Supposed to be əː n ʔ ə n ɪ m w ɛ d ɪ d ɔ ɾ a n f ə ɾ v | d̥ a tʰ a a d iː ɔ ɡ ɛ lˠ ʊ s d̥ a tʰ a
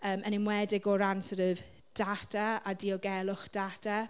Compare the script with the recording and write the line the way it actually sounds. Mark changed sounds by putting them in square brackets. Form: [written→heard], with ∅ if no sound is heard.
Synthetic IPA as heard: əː [n→m] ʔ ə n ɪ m w ɛ d ɪ [d→ɡ] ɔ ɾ a n [f→s] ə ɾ v | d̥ a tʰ a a d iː ɔ ɡ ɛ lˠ ʊ [s→χ] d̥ a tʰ a